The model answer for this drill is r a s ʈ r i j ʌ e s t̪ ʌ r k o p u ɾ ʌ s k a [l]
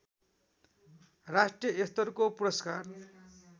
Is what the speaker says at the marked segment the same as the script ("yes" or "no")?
no